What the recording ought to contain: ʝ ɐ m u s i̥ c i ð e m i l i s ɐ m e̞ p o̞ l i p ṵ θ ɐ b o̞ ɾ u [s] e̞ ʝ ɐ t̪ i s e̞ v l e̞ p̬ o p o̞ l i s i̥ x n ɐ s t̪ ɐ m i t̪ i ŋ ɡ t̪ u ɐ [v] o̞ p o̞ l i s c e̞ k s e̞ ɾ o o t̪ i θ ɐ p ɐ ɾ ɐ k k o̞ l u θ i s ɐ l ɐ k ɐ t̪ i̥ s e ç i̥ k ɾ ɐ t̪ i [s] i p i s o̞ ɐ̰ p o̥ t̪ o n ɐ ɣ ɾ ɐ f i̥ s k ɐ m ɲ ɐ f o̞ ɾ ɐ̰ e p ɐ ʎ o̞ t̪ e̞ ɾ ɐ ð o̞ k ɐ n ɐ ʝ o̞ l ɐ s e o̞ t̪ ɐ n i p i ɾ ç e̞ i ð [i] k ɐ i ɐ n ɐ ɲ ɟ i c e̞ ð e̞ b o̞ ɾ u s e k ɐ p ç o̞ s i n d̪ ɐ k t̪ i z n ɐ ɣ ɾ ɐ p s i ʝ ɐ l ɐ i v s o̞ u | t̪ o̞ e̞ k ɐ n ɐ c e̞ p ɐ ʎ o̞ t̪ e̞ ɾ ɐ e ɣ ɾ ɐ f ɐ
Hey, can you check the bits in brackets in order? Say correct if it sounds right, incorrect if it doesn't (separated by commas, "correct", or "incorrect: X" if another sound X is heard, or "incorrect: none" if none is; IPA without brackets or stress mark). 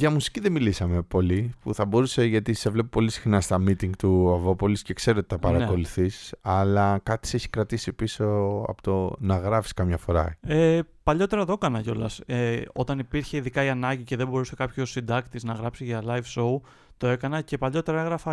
correct, correct, correct, correct